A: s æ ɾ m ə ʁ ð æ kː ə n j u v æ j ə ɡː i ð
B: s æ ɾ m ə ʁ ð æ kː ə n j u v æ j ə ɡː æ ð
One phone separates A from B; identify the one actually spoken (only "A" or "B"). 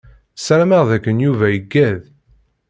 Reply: B